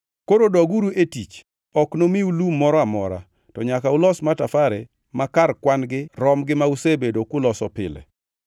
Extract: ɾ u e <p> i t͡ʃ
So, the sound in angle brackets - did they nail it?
no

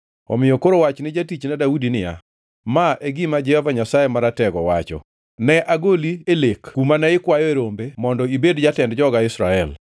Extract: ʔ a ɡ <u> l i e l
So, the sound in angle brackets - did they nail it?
no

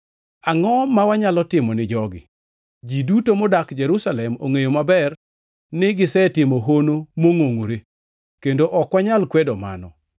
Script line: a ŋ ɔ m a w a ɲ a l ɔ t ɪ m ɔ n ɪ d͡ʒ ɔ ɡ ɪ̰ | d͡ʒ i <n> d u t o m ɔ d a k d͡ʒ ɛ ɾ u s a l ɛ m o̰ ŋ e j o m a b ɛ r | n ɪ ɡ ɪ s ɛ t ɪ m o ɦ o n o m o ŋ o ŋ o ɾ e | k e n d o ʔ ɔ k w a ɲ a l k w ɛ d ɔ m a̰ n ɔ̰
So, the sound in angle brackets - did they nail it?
no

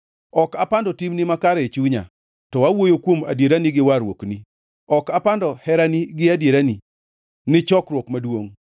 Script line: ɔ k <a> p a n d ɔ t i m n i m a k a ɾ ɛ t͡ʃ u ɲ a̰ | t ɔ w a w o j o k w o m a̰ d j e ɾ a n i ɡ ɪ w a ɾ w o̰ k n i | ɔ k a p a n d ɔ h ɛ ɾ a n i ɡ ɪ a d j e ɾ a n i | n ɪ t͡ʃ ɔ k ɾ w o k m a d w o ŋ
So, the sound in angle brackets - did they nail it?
yes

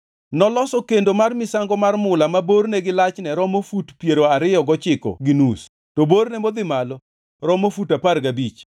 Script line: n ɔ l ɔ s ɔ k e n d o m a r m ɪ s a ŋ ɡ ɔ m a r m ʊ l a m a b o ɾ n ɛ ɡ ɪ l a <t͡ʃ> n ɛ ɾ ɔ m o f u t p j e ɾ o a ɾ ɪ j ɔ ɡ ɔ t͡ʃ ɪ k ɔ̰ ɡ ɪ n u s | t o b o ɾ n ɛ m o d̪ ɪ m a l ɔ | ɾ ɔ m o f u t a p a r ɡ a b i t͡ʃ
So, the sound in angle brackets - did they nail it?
yes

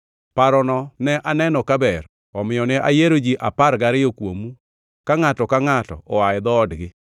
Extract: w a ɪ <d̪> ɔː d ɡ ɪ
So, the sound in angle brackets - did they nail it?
yes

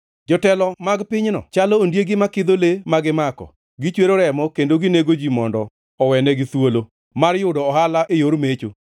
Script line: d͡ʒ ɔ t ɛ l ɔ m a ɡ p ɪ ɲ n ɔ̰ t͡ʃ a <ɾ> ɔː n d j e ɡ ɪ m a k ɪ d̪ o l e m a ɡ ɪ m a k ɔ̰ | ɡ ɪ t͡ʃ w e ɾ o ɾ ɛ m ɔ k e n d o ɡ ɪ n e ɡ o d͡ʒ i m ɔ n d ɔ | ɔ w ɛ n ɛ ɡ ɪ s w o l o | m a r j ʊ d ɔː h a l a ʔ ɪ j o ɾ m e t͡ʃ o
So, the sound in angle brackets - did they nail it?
no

